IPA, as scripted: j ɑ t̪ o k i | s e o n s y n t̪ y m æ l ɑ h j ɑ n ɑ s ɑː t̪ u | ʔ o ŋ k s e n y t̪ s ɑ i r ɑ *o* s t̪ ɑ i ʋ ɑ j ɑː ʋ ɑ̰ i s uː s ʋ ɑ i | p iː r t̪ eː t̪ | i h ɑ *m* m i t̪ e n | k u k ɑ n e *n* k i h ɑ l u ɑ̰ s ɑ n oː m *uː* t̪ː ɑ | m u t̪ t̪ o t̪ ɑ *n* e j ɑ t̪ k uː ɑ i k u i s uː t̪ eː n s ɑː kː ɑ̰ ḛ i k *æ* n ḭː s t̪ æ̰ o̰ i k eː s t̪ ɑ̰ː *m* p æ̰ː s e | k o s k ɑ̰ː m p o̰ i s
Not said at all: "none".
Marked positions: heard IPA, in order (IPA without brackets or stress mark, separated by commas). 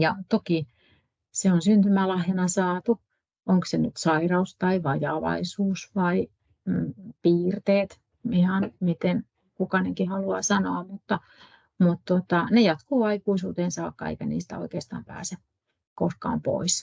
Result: u, n, ŋ, u, n, æ, m